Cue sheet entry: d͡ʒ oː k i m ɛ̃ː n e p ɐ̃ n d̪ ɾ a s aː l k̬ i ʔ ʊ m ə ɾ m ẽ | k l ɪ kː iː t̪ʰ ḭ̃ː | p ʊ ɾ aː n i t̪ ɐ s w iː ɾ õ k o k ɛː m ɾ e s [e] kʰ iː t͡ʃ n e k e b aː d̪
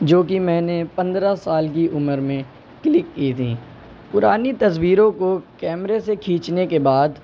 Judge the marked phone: correct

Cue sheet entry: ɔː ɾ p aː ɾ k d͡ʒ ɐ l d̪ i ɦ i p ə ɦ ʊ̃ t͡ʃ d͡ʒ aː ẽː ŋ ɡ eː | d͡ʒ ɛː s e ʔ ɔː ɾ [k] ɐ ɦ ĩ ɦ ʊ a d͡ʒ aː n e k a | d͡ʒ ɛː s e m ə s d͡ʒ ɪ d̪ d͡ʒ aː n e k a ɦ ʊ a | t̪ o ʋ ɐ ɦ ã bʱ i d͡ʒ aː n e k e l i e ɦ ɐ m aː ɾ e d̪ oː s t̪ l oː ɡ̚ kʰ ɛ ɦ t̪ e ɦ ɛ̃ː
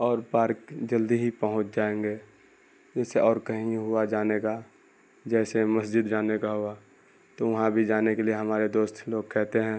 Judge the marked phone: correct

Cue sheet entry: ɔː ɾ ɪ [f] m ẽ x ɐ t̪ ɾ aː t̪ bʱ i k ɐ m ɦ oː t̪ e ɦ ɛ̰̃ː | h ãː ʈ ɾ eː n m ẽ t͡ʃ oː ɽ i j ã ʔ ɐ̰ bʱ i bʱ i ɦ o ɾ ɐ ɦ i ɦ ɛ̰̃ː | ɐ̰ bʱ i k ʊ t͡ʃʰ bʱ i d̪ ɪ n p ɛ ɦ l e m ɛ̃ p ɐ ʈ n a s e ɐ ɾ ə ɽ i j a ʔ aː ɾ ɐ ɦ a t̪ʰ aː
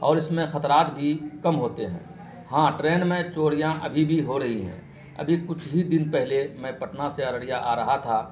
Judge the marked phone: incorrect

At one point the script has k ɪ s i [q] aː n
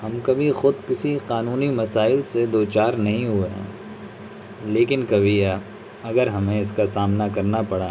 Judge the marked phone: correct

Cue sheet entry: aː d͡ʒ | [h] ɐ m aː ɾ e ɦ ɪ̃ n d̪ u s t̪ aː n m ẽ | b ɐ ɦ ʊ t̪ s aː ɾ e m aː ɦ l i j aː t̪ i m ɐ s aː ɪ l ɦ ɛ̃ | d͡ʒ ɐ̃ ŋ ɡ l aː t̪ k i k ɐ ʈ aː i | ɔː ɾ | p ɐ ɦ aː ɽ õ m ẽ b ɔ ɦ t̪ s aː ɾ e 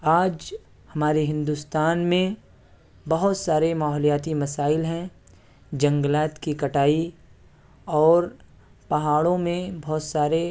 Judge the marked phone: correct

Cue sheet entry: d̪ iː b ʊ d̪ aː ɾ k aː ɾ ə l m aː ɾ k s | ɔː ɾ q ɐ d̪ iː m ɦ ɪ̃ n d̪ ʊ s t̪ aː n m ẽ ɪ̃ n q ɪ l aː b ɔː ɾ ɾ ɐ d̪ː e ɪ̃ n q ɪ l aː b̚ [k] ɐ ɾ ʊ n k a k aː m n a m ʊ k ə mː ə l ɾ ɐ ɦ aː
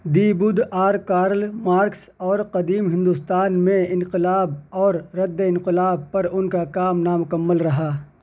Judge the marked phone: incorrect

